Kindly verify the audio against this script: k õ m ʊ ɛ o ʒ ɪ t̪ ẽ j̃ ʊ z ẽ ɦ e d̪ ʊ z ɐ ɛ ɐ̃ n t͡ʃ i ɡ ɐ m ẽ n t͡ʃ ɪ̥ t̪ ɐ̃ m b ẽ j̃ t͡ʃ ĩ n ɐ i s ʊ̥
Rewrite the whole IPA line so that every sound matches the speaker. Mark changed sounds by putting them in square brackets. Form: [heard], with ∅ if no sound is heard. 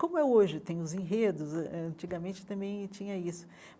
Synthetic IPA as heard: k õ m ʊ ɛ o ʒ ɪ t̪ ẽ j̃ ʊ z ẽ ɦ e d̪ ʊ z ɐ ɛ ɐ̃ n t͡ʃ i ɡ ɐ m ẽ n t͡ʃ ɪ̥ t̪ ɐ̃ m b ẽ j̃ t͡ʃ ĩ [ɲ] ɐ i s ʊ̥

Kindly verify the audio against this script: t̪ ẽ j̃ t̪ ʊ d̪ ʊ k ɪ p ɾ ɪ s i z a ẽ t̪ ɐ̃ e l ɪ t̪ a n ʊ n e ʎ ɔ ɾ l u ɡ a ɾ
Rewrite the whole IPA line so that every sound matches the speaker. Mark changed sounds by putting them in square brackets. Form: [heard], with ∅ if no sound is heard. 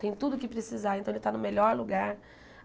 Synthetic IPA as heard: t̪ ẽ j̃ t̪ [u] d̪ ʊ k ɪ p ɾ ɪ s i z a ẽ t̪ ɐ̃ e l ɪ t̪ a n ʊ [m] e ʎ ɔ ɾ l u ɡ a ɾ

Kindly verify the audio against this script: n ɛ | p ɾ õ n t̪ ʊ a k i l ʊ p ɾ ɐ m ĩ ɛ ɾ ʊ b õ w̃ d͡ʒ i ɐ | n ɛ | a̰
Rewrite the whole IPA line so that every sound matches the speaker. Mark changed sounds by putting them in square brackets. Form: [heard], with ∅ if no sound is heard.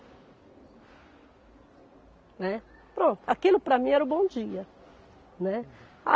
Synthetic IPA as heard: n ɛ | p ɾ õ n t̪ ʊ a k i l ʊ p ɾ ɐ m ĩ ɛ ɾ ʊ b õ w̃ d͡ʒ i ɐ | n ɛ | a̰

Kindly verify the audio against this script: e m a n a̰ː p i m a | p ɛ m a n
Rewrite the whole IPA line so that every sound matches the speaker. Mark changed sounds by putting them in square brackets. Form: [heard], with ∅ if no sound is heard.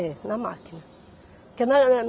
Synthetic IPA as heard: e [n] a [m] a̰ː [k] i [n] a | [k] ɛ [n] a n

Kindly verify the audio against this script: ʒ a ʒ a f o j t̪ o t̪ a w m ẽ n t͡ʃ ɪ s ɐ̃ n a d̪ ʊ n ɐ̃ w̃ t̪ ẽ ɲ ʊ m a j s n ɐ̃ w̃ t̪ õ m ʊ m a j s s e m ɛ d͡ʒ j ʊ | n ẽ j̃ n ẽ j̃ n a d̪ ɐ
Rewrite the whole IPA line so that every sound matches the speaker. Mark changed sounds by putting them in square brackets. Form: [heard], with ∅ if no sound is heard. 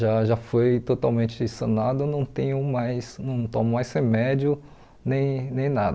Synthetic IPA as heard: ʒ a ʒ a f o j t̪ o t̪ a w m ẽ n t͡ʃ ɪ s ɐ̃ n a d̪ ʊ n ɐ̃ w̃ t̪ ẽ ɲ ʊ m a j s n ɐ̃ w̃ t̪ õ m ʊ m a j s [h] e m ɛ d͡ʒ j ʊ | n ẽ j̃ n ẽ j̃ n a d̪ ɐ

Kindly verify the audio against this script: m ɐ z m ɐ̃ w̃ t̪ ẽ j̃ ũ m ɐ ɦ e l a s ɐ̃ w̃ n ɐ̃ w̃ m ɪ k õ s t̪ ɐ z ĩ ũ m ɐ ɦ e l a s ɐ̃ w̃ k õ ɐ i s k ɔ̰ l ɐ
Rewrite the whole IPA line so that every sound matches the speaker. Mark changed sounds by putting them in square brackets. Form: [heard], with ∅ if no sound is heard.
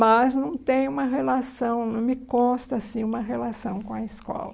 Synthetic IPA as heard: m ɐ z [n] ɐ̃ w̃ t̪ ẽ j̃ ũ m ɐ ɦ e l a s ɐ̃ w̃ n ɐ̃ w̃ m ɪ k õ s t̪ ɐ [s] ĩ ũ m ɐ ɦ e l a s ɐ̃ w̃ k õ ɐ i s k ɔ̰ l ɐ

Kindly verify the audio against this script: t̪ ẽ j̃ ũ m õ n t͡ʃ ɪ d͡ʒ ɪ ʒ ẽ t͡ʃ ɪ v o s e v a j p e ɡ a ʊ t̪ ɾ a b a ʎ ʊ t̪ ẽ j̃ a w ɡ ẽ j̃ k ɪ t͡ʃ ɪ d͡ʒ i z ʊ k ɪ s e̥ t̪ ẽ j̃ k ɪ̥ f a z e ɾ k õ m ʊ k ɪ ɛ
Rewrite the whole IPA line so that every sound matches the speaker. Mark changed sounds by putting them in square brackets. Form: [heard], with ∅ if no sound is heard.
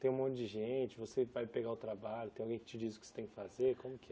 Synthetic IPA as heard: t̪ ẽ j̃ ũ m õ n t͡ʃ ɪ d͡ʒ ɪ ʒ ẽ t͡ʃ ɪ v o s e v a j p e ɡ a ʊ t̪ ɾ a b a ʎ ʊ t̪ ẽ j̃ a w ɡ ẽ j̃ k ɪ t͡ʃ ɪ d͡ʒ i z ʊ k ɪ s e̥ t̪ ẽ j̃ k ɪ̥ f a z e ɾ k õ m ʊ k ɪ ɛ

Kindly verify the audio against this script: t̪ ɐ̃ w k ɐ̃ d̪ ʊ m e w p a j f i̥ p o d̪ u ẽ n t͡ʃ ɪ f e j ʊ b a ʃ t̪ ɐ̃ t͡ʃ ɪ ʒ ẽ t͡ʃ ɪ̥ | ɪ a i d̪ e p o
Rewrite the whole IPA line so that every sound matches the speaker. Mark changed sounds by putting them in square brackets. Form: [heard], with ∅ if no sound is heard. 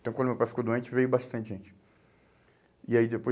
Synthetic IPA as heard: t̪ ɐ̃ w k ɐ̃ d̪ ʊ m e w p a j f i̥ [k] o d̪ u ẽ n t͡ʃ ɪ [v] e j ʊ b a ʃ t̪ ɐ̃ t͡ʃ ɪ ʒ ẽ t͡ʃ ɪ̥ | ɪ a i d̪ e p o

